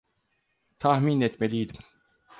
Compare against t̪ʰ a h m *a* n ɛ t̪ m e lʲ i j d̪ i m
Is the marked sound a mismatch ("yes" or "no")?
yes